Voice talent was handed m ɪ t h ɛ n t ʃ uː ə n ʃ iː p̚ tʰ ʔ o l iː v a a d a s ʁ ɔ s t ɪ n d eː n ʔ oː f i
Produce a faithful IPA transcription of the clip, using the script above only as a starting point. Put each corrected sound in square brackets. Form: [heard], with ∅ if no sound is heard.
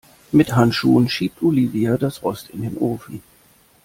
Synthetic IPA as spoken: m ɪ t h [a] n t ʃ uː ə n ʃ iː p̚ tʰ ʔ o l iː v [i] a d a s ʁ ɔ s t ɪ n d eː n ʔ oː f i